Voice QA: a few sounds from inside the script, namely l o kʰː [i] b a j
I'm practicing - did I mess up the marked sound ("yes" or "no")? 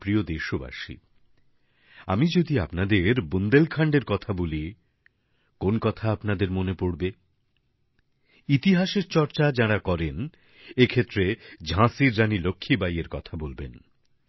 no